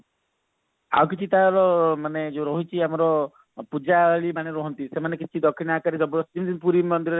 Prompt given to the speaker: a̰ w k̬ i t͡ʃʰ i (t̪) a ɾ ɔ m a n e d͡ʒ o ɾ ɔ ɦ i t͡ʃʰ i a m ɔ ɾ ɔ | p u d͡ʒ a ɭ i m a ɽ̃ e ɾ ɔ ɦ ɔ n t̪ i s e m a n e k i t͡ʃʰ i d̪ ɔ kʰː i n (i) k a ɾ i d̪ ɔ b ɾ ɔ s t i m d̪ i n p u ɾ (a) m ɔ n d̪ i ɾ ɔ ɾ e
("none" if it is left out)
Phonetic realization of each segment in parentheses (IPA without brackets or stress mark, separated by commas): t̪, a, i